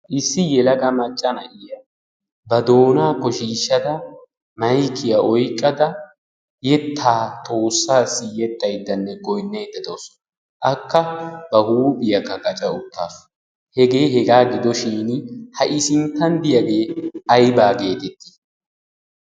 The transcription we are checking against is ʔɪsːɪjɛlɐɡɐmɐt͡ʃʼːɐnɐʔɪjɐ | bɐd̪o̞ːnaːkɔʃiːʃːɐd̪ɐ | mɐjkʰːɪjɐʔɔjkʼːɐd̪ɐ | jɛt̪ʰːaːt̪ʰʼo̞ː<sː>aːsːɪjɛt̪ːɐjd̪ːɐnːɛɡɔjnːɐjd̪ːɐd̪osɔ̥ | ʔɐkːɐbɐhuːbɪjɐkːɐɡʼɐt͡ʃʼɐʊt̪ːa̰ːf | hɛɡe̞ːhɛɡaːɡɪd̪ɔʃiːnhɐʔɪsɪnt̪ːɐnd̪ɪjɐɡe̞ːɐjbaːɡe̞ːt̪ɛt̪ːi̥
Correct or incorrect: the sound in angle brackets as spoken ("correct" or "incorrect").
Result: correct